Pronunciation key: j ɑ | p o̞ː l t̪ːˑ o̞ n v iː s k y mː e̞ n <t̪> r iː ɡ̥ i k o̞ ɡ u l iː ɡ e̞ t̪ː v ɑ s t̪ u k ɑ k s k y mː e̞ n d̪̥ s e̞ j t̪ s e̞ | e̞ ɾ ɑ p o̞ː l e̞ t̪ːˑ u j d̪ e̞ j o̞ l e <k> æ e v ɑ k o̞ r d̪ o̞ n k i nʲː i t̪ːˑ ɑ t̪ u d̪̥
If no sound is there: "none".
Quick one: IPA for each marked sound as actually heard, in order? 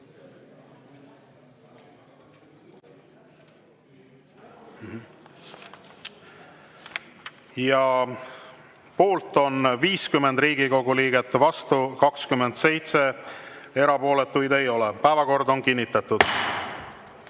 d̪, p

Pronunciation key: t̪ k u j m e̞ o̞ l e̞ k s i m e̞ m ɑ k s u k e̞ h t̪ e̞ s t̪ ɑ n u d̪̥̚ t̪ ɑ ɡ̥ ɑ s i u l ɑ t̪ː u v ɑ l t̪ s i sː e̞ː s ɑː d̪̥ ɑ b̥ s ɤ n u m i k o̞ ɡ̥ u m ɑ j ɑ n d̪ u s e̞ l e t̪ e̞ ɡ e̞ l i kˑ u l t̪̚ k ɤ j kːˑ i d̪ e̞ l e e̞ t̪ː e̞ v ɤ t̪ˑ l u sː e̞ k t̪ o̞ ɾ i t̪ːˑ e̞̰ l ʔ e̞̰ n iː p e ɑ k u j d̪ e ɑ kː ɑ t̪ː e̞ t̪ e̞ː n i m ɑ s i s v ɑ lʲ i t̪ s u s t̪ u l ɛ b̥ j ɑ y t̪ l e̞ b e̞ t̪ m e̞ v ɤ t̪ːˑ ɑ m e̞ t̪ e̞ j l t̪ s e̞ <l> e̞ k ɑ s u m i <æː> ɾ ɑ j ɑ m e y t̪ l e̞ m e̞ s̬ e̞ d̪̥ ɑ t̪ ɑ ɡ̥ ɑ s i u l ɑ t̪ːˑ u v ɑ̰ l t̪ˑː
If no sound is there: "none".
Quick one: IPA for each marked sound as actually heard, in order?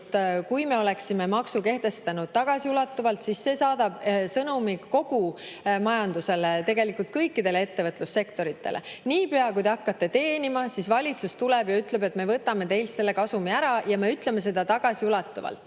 lː, æ

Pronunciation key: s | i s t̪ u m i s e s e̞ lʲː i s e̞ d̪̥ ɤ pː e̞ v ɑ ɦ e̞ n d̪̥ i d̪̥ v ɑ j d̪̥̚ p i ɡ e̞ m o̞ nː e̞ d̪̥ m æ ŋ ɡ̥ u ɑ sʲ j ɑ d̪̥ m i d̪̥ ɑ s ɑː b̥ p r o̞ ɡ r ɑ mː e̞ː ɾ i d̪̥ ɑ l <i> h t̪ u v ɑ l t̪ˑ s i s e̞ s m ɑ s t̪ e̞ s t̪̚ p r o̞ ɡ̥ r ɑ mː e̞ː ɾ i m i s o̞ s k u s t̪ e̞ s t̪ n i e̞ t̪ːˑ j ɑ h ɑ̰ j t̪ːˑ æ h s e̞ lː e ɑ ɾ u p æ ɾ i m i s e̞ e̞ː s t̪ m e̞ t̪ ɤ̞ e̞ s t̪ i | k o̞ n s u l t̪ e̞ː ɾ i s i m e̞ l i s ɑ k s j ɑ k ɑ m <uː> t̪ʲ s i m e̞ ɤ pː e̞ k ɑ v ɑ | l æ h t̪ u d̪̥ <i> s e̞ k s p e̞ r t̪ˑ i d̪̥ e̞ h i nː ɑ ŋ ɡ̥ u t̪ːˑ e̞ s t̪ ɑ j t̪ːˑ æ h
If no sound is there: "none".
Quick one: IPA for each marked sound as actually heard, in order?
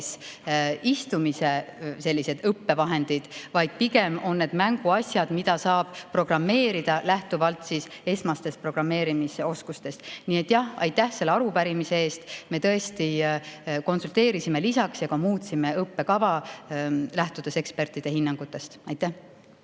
æ, uː, e

